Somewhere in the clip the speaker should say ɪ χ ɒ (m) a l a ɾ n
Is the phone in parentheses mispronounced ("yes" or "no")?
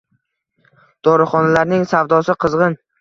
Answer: yes